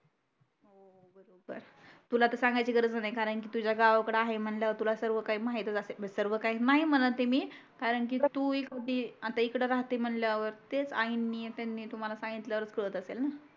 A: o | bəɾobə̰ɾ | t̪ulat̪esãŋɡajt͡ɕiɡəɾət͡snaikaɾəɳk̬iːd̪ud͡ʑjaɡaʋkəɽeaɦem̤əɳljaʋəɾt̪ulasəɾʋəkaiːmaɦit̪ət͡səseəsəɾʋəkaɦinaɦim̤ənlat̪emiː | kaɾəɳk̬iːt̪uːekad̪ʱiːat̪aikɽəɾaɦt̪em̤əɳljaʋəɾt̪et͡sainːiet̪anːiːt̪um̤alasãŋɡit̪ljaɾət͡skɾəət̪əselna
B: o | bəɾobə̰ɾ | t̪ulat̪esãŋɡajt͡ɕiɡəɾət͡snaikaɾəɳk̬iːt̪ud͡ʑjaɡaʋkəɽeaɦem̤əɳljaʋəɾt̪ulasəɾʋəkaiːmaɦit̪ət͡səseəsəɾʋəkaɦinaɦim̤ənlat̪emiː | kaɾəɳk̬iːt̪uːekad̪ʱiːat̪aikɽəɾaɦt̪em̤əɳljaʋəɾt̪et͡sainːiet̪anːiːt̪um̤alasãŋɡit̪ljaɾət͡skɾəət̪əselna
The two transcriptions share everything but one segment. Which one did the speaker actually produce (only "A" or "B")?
B